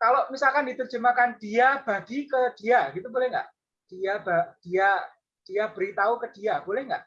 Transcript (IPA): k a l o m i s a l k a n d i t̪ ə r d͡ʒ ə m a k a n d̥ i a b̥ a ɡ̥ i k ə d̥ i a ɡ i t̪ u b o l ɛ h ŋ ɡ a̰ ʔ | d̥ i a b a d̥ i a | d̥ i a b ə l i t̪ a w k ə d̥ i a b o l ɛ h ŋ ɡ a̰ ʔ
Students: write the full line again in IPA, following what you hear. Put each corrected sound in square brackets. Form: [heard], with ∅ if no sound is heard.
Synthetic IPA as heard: k a l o m i s a l k a n d i t̪ ə r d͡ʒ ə m a k a n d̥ i a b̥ a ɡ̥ i k ə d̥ i a ɡ i t̪ u b o l ɛ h ŋ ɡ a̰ ʔ | d̥ i a b a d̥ i a | d̥ i a b ə [ɾ] i t̪ a [u] k ə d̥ i a b o l ɛ h ŋ ɡ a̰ ʔ